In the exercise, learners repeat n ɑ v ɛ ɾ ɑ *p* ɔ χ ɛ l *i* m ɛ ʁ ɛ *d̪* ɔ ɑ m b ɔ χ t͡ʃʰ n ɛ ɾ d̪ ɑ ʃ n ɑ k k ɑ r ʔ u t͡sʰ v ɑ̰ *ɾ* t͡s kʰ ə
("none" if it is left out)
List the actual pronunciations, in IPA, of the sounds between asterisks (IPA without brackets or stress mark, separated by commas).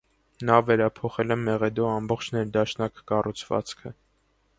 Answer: pʰ, ɛ, d̪, none